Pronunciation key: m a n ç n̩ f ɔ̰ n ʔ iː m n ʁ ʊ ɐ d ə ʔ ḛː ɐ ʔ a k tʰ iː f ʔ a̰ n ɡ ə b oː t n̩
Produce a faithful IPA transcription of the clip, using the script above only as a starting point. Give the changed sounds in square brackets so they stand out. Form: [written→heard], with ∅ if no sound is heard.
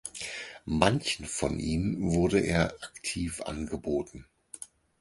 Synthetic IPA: m a n ç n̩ f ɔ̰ n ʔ iː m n [ʁ→v] ʊ ɐ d ə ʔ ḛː ɐ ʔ a k tʰ iː f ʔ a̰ n ɡ ə b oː t n̩